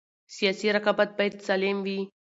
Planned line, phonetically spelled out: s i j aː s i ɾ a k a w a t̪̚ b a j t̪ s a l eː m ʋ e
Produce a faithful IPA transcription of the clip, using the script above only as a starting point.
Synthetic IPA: s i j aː s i ɾ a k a b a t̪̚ b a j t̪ s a l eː m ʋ i